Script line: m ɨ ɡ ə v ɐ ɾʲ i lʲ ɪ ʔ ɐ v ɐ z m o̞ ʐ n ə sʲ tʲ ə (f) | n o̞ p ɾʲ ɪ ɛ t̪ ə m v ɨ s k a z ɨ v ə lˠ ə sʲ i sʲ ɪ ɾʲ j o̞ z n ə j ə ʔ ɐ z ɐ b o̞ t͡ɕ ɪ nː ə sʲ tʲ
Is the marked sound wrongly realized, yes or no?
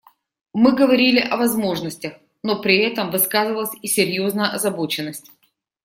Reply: yes